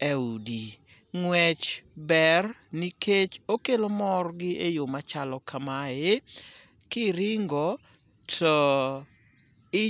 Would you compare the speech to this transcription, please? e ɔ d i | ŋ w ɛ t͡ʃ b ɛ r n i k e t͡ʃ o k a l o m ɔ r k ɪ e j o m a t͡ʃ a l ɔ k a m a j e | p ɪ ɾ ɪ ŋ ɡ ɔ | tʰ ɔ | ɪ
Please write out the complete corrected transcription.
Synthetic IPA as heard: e u d i | ŋ w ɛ t͡ʃ b ɛ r n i k e t͡ʃ o k e l o m ɔ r ɡ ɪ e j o m a t͡ʃ a l ɔ k a m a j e | k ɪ ɾ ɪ ŋ ɡ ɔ | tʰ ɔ | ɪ